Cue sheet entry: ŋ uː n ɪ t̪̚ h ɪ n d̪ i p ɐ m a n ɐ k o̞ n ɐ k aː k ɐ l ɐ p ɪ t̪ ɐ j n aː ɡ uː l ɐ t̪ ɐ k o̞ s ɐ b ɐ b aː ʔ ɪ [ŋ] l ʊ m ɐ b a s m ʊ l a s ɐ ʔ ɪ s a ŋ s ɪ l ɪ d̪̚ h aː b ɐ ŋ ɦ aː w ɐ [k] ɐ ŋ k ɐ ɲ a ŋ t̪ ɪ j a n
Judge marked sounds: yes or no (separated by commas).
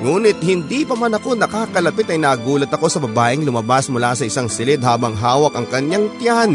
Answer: yes, yes